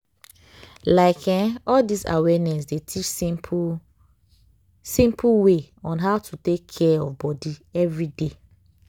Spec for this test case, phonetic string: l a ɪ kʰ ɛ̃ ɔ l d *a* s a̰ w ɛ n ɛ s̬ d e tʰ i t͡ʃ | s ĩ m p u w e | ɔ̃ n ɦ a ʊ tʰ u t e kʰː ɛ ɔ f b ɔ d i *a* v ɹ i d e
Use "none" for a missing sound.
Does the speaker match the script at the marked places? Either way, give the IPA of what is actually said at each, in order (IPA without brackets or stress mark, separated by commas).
i, ɛ